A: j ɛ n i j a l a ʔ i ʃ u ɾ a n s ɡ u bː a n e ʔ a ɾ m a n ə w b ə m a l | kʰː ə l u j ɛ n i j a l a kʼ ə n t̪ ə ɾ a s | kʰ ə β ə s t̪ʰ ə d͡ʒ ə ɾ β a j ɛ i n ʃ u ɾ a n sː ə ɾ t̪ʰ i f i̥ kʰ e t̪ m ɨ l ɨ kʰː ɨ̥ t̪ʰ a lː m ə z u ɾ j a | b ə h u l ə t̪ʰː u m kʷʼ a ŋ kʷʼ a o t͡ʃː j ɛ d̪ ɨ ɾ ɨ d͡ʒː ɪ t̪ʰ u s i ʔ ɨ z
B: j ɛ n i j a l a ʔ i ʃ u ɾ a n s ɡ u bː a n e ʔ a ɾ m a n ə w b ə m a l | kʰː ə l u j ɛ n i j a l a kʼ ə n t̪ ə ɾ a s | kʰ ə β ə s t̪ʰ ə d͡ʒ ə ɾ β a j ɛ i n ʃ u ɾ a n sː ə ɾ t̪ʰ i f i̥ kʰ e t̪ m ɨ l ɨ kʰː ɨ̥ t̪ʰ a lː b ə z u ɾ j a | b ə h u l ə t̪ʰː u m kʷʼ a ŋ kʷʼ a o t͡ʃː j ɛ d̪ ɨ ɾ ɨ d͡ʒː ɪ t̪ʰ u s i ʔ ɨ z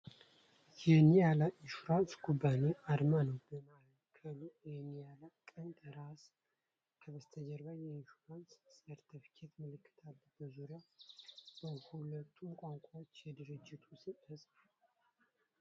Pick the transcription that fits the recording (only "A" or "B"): B